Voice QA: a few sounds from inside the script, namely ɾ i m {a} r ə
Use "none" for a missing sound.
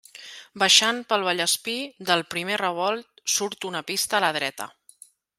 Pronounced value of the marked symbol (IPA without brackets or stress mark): e